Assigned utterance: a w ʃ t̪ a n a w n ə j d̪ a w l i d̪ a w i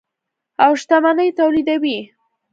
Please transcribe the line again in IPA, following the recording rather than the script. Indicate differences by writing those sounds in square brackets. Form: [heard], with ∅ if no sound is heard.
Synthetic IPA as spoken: a w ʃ t̪ a [m] a [∅] n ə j [t̪] a w l i d̪ a w i